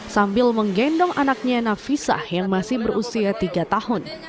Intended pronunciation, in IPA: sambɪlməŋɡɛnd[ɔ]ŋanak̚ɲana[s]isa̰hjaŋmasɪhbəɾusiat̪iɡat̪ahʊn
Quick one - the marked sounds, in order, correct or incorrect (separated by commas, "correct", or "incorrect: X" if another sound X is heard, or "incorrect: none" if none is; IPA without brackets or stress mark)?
correct, incorrect: f